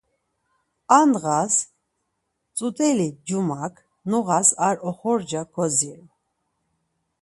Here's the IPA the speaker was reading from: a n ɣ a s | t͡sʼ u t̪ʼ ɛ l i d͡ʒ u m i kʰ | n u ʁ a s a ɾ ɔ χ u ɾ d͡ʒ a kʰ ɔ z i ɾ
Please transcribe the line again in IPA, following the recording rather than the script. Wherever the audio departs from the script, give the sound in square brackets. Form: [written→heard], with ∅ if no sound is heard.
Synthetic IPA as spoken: a n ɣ a s | t͡sʼ u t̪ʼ ɛ l i d͡ʒ u m [i→a] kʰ | n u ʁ a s a ɾ ɔ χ [u→ɔ] ɾ d͡ʒ a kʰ ɔ z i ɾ